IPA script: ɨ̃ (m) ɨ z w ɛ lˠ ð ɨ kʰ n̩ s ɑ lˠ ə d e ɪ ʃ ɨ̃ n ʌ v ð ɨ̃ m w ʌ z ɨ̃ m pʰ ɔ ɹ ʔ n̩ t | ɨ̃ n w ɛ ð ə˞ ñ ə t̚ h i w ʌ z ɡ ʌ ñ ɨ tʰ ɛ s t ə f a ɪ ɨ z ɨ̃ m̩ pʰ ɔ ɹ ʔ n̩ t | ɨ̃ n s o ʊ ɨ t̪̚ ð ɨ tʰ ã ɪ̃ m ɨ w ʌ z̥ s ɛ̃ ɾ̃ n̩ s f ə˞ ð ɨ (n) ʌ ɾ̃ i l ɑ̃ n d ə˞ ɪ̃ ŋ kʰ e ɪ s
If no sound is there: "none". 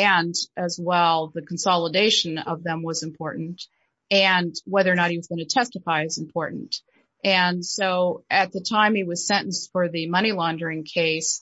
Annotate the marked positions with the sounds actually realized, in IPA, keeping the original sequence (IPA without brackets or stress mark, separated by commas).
n, m